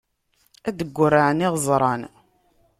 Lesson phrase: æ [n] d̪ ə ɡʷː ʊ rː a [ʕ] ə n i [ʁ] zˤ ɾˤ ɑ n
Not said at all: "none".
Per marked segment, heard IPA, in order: none, ʕ, ʁ

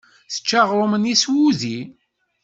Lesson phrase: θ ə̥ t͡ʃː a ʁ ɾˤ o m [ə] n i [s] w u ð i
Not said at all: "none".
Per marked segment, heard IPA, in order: ə, s

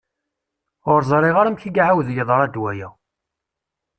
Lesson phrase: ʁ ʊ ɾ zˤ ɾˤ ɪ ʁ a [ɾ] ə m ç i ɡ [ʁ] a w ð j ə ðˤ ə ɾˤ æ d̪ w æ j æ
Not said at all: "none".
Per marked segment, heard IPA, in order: ɾ, ʕ

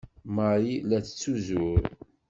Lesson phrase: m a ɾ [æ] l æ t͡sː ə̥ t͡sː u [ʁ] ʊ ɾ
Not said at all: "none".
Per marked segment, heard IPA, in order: i, z

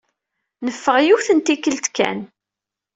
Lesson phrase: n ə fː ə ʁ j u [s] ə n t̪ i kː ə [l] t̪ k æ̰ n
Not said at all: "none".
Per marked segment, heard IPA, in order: θ, l

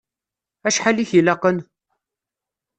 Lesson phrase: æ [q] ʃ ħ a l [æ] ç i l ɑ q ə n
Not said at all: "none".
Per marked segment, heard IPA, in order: none, i

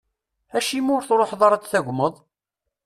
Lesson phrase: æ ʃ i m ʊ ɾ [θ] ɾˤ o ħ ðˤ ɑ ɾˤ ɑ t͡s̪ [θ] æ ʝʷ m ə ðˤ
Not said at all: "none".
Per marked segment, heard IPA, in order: θ, θ

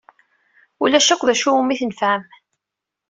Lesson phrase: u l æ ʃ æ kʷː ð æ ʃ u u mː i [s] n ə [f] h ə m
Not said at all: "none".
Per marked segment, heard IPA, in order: θ, f

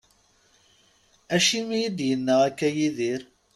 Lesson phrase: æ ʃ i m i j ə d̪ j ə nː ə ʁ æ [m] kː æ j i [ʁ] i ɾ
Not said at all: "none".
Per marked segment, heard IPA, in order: none, ð

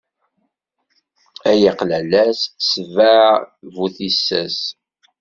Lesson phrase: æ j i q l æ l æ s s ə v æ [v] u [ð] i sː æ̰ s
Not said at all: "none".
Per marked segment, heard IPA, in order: v, θ

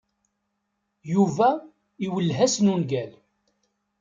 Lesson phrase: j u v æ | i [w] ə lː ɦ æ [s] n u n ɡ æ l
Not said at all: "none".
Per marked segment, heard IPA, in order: w, s

